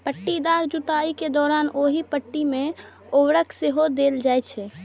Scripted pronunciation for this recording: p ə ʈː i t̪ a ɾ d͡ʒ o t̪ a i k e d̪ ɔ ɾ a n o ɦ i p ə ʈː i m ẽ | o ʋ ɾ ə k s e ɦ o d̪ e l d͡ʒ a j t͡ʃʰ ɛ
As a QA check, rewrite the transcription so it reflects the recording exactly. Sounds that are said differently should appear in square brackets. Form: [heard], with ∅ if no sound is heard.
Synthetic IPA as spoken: p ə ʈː i [d̪] a ɾ d͡ʒ [u] t̪ a i k e d̪ ɔ ɾ a n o ɦ i p ə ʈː i m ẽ | o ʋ ɾ ə k s e ɦ o d̪ e l d͡ʒ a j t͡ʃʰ ɛ